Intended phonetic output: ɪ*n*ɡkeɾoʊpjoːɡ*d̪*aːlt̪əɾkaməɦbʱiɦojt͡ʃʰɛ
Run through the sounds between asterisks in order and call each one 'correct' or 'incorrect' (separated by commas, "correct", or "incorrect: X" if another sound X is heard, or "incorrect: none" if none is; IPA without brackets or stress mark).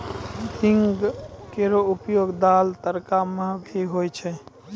incorrect: ŋ, correct